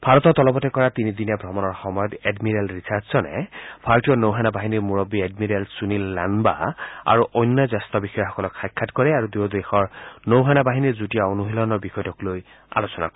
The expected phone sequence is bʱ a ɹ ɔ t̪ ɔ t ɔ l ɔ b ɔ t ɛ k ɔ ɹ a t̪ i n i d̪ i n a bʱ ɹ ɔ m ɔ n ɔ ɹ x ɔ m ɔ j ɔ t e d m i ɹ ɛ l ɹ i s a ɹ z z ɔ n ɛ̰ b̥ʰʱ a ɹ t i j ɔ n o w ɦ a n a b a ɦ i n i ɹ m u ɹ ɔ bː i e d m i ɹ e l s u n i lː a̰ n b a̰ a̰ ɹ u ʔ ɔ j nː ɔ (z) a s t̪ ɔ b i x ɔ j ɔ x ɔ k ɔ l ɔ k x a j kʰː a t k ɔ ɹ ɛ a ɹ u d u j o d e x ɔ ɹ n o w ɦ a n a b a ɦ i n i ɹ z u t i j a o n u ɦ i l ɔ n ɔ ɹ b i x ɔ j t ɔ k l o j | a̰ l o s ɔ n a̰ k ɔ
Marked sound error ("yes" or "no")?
no